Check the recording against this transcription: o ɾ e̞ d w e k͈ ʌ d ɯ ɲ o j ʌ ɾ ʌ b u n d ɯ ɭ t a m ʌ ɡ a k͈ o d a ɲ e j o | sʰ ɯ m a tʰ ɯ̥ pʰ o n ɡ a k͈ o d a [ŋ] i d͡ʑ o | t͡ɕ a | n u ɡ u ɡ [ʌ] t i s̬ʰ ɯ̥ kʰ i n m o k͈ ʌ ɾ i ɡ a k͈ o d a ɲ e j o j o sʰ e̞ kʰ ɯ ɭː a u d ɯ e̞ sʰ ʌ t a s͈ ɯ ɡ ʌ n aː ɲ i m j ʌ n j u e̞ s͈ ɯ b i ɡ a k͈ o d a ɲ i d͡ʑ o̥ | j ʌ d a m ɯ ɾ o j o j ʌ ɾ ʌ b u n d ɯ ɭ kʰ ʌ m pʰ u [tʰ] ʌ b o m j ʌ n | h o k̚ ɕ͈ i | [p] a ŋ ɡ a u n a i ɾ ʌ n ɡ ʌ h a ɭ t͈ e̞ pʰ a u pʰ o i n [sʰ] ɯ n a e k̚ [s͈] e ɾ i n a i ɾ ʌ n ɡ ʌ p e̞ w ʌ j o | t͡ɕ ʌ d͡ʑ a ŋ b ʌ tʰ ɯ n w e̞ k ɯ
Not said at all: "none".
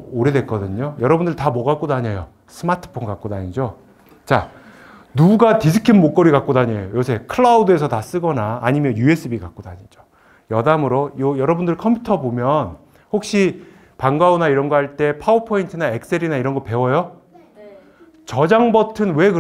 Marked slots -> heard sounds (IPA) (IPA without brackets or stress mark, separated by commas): ɲ, a, tʰ, p, tʰ, s͈